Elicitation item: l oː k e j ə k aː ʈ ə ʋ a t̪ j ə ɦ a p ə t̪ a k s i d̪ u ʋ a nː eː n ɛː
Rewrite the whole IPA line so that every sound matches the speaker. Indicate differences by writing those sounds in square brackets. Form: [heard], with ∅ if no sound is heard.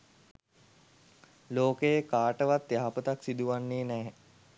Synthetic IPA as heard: l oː k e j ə k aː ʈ ə ʋ a t̪ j [a] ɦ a p ə t̪ a k s i d̪ u ʋ a nː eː n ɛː